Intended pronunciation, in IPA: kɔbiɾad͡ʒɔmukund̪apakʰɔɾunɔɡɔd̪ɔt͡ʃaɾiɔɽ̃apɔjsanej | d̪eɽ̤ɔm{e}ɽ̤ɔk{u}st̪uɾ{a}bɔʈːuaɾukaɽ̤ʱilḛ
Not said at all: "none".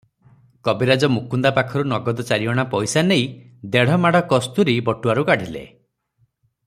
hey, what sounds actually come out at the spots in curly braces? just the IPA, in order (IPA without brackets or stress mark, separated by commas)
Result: a, ɔ, i